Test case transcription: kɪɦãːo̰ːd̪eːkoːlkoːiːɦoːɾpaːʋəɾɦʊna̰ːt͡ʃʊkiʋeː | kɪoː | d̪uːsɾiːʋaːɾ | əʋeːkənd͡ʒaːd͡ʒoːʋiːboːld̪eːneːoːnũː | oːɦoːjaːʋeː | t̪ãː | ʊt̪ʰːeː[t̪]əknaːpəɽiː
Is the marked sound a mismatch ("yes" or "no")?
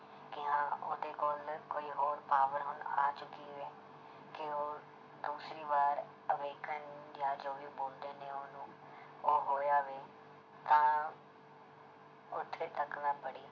no